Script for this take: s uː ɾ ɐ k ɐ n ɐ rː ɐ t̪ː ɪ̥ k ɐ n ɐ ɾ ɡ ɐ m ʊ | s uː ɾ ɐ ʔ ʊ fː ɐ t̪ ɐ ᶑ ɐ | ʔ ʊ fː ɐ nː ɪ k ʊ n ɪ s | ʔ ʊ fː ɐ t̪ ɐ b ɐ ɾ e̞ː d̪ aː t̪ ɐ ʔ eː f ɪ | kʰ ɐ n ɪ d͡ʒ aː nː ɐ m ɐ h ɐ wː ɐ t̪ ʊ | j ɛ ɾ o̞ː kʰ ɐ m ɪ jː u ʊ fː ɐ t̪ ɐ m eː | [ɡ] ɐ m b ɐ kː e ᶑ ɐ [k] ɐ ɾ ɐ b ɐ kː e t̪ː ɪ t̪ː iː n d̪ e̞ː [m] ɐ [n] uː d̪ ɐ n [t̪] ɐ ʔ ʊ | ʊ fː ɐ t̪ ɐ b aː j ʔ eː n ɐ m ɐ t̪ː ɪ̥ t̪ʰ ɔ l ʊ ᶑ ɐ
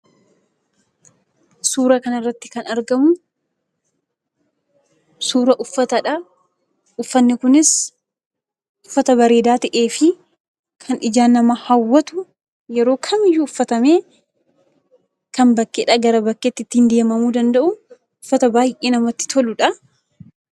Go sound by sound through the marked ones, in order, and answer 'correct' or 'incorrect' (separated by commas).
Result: incorrect, incorrect, correct, incorrect, incorrect